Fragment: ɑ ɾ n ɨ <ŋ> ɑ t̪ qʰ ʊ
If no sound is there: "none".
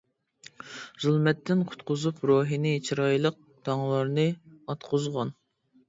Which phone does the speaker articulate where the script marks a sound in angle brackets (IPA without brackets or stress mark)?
none